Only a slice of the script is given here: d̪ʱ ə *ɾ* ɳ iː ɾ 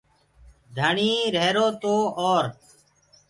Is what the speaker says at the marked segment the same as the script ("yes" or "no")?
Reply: no